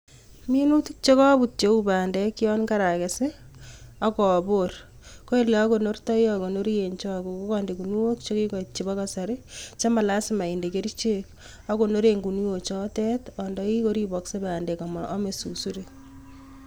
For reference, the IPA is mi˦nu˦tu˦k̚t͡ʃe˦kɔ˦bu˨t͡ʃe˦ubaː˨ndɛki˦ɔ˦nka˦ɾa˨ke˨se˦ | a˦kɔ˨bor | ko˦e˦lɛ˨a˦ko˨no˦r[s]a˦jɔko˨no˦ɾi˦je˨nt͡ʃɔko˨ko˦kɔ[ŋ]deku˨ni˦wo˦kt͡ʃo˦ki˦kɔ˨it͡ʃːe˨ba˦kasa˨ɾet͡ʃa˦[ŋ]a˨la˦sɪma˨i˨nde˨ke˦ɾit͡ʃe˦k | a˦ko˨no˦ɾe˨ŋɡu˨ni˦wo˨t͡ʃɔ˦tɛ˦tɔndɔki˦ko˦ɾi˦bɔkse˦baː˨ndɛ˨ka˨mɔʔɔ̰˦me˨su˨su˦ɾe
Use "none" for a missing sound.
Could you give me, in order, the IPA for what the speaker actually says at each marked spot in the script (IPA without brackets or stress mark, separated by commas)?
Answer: t, n, m